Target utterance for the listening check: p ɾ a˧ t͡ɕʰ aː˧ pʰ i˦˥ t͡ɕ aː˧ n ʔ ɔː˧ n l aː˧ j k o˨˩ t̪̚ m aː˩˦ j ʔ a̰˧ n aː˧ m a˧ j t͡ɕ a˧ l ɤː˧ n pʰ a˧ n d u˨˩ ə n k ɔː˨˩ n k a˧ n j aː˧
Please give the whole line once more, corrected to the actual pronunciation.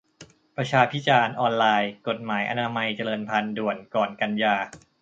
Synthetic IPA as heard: p ɾ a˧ t͡ɕʰ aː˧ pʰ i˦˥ t͡ɕ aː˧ n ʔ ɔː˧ n l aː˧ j k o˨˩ t̪̚ m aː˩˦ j ʔ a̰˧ n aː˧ m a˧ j t͡ɕ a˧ l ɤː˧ n pʰ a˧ n d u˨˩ ə n k ɔː˨˩ n k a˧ n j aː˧